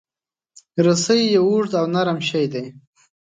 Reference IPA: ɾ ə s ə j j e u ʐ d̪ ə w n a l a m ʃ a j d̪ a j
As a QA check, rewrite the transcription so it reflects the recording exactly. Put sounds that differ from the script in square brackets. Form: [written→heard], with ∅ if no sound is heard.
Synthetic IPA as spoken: ɾ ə s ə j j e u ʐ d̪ [ə→a] w n a [l→ɾ] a m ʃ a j d̪ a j